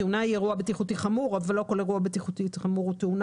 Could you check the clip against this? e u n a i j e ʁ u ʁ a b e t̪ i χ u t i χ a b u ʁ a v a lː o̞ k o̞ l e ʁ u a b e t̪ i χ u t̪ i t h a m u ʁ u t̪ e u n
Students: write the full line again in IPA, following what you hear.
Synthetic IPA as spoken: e u n a i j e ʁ u a b e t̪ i χ u t i χ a m u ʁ a v a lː o̞ k o̞ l e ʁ u a b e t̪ i χ u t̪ i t χ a m u ʁ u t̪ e u n

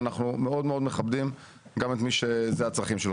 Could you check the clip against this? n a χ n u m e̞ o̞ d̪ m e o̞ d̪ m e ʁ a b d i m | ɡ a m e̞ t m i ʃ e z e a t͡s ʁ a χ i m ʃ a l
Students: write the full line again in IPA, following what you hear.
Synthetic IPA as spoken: n a χ n u m e̞ o̞ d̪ m e o̞ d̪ m e χ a b d i m | ɡ a m e̞ t m i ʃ e z e a t͡s ʁ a χ i m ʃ e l

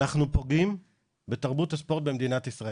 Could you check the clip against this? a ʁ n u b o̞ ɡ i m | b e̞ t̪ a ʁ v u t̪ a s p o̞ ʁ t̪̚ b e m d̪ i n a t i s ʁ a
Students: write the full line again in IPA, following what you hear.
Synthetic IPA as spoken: a χ n u p o̞ ɡ i m | b e̞ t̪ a ʁ b u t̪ a s p o̞ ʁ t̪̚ b e m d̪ i n a t i s ʁ a

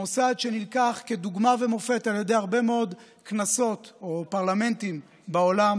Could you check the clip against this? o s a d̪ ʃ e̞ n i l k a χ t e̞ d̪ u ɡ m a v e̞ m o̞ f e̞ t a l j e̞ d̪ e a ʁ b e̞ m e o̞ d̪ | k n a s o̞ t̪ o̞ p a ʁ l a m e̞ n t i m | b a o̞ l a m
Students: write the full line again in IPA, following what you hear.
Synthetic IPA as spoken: o s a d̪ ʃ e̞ n i l k a χ k e̞ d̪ u ɡ m a v e̞ m o̞ f e̞ t a l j e̞ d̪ e a ʁ b e̞ m e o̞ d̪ | k n a s o̞ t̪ o̞ p a ʁ l a m e̞ n t i m | b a o̞ l a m

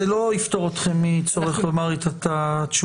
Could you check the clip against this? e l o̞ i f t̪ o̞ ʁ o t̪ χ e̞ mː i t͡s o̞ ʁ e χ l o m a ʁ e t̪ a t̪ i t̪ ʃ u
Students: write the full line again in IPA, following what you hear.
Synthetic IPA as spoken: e l o̞ i f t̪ o̞ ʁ o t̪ χ e̞ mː i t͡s o̞ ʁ e χ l o m a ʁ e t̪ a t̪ a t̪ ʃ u

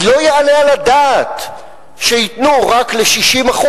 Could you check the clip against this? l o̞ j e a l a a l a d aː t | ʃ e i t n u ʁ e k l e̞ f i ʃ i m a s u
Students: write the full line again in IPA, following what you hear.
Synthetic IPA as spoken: l o̞ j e a l e a l a d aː t | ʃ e i t n u ʁ a k l e̞ ʃ i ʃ i m a χ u

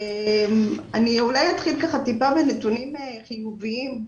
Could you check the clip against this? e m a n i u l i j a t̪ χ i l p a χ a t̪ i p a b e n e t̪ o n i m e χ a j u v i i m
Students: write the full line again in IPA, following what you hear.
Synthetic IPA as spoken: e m a n i u l a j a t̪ χ i l k a χ a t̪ i p a b e n e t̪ u n i m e χ i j u v i i m

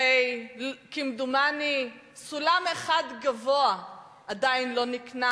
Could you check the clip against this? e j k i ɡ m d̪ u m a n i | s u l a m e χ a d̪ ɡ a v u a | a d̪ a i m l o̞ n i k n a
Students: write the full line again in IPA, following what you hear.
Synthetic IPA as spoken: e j k i m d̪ u m a n i | s u l a m e χ a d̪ ɡ a v o a | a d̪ a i n l o̞ n i k n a

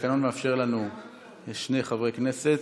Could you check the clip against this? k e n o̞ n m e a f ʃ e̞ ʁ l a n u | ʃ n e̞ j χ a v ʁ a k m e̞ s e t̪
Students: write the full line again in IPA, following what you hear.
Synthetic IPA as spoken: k a n o̞ n m e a f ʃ e̞ ʁ l a n u | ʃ n e̞ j χ a v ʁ e k n e̞ s e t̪

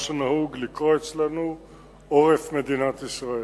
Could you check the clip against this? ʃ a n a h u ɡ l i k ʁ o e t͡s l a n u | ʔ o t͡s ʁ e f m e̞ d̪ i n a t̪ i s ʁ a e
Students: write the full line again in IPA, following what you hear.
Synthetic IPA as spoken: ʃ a n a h u ɡ l i k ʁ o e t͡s l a n u | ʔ o ʁ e f m e̞ d̪ i n a t̪ i s ʁ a e

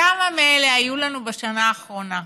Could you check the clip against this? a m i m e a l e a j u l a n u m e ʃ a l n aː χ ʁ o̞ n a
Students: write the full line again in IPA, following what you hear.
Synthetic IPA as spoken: a m a m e e l e a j u l a n u b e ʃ a n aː χ ʁ o̞ n a

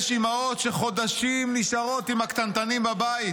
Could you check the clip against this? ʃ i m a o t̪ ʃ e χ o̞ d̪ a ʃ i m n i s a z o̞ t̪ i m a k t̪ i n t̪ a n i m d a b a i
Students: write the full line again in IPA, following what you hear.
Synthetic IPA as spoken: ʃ i m a o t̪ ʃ e χ o̞ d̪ a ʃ i m n i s a ʁ o̞ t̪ i m a k t̪ a n t̪ a n i m b a b a i

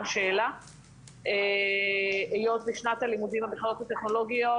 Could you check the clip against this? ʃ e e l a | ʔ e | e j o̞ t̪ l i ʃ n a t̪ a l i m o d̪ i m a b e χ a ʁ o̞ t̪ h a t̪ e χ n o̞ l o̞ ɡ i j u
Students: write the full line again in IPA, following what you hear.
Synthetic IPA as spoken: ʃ e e l a | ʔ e | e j o̞ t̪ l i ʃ n a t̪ a l i m u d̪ i m a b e χ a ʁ o̞ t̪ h a t̪ e χ n o̞ l o̞ ɡ i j o

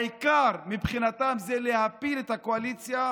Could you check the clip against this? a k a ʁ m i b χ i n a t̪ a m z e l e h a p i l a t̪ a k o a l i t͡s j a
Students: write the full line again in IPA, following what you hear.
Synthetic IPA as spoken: i k a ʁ m i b χ i n a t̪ a m z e l e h a p i l e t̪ a k o a l i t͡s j a

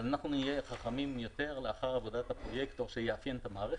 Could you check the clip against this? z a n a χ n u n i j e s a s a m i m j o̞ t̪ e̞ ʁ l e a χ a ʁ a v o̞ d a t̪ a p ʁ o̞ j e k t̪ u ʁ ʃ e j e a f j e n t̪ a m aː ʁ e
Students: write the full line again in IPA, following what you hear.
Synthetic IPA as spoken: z a n a χ n u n i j e χ a χ a m i m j o̞ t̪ e̞ ʁ l e a χ a ʁ a v o̞ d a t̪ a p ʁ o̞ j e k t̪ o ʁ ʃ e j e a f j e n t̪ a m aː ʁ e

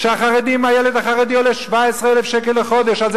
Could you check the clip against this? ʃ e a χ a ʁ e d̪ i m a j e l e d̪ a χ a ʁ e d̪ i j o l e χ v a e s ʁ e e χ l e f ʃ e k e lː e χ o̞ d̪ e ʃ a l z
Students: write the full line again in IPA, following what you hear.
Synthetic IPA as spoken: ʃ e a χ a ʁ e d̪ i m a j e l e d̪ a χ a ʁ e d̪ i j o l e ʃ v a e s ʁ e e l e f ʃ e k e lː e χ o̞ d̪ e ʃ a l z

